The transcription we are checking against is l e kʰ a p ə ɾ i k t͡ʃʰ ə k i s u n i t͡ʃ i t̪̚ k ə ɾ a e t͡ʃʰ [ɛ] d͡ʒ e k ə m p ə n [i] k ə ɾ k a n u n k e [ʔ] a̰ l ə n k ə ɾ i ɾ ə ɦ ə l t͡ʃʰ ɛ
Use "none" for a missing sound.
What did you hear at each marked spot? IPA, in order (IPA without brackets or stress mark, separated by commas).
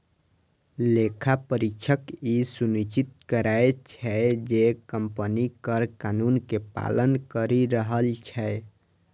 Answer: ɛ, i, p